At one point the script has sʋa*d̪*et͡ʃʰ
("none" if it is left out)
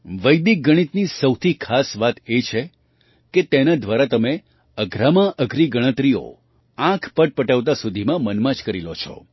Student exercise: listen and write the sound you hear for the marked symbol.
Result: t̪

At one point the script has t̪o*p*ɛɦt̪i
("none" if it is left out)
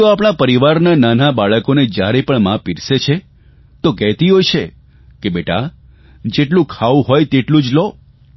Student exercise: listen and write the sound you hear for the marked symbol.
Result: k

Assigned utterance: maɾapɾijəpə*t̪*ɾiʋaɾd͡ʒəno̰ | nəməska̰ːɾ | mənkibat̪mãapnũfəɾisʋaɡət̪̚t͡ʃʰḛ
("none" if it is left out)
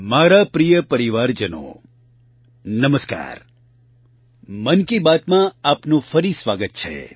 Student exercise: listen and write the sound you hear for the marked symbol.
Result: none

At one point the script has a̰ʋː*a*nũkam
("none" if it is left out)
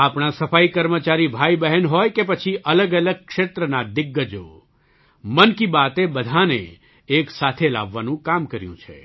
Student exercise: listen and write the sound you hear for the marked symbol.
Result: a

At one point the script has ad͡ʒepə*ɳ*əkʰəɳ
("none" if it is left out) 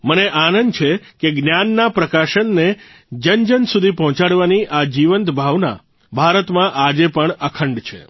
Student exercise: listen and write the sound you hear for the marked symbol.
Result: ɳ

